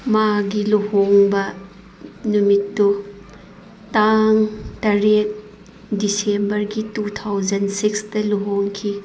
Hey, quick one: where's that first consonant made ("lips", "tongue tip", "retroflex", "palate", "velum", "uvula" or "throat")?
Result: lips